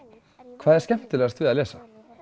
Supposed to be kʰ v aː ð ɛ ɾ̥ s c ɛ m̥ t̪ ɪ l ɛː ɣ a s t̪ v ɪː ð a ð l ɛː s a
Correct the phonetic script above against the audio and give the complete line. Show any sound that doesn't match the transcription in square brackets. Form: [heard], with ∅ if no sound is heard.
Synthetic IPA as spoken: kʰ v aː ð ɛ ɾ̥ s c ɛ m̥ t̪ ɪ l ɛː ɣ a s t̪ v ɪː ð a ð l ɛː s a